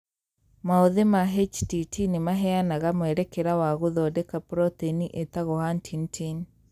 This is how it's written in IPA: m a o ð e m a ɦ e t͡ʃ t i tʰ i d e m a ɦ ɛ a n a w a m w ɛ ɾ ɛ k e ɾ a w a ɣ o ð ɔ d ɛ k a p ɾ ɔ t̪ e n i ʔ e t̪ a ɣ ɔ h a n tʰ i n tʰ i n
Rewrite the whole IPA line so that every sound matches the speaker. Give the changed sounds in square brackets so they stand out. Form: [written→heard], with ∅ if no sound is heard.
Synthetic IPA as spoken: m a o ð e m a ɦ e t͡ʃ t i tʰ i [d→n] e m a ɦ ɛ a n a [w→ɣ] a m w ɛ ɾ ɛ k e ɾ a w a ɣ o ð ɔ d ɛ k a p ɾ ɔ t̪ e n i ʔ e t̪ a ɣ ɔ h a n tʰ i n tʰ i n